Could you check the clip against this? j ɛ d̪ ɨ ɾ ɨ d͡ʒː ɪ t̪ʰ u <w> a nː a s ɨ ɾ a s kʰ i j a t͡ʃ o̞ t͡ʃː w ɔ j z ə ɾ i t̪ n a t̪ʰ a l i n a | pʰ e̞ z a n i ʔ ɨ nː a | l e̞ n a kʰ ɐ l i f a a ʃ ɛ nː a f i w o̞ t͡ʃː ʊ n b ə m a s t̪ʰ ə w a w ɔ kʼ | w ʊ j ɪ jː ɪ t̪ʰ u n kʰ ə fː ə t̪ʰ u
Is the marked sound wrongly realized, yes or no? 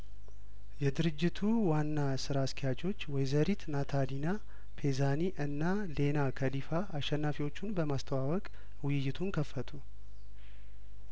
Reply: no